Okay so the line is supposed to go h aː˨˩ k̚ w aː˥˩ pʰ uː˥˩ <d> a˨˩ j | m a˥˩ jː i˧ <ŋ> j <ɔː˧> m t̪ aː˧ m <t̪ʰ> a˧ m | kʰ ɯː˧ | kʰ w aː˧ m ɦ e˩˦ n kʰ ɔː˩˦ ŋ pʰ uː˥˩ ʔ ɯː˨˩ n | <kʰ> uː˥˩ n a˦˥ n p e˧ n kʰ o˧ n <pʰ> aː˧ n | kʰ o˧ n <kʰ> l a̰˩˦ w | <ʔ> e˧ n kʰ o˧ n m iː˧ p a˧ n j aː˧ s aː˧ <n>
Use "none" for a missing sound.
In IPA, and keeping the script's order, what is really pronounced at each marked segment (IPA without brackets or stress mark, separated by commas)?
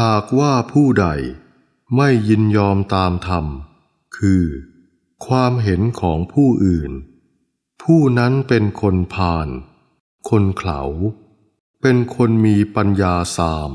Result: d, n, ɔː˧, t̪ʰ, pʰ, pʰ, kʰ, p, m